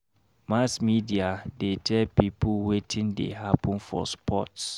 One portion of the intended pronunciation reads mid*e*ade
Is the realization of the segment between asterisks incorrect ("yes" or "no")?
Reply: yes